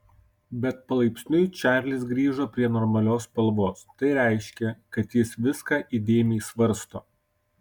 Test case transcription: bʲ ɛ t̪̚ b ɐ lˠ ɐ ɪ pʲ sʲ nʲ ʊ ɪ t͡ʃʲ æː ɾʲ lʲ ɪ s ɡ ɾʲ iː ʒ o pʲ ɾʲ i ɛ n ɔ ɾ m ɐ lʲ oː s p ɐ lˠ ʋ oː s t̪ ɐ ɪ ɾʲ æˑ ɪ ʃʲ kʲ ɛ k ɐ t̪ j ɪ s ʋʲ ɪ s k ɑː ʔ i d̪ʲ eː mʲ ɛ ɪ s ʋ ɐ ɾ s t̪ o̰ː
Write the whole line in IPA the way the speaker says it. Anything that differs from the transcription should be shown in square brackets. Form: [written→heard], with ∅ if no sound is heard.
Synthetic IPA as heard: bʲ ɛ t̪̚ [b→p] ɐ lˠ ɐ ɪ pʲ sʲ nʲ ʊ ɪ t͡ʃʲ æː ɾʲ lʲ ɪ s ɡ ɾʲ iː ʒ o pʲ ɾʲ i ɛ n ɔ ɾ m ɐ lʲ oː s p ɐ lˠ ʋ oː s t̪ ɐ ɪ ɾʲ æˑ ɪ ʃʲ kʲ ɛ k ɐ t̪ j ɪ s ʋʲ ɪ s k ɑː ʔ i d̪ʲ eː mʲ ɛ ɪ s ʋ ɐ ɾ s t̪ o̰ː